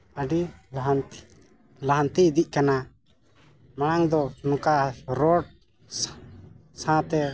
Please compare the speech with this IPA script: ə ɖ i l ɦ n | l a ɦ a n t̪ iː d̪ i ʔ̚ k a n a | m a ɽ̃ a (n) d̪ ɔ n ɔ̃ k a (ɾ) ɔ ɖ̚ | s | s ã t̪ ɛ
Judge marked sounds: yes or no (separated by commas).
no, yes